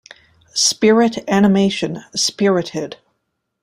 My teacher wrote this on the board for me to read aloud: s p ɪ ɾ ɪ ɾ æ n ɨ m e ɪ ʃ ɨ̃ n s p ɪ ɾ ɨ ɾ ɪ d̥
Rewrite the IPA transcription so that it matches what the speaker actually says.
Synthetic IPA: s p ɪ ɹ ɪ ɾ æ n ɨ m e ɪ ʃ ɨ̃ n s p ɪ ɹ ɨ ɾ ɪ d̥